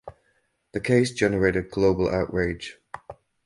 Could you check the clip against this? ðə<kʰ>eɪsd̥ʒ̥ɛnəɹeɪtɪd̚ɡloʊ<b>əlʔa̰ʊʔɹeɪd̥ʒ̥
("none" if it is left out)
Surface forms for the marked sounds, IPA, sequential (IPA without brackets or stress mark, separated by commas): kʰ, b